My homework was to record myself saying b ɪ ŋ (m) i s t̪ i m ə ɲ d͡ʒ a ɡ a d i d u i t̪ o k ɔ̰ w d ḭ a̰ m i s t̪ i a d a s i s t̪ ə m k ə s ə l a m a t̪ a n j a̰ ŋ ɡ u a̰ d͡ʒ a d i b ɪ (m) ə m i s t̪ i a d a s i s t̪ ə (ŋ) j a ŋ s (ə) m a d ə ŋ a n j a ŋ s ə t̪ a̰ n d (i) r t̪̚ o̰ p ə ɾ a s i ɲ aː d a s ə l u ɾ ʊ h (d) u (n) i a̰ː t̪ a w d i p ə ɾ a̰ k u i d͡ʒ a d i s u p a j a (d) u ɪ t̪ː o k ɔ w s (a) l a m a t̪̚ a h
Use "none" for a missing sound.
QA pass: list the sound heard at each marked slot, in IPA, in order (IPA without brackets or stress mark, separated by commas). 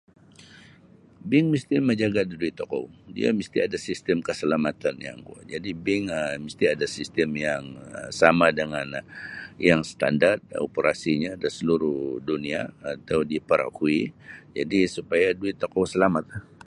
m, ŋ, m, a, a, d, n, d, ə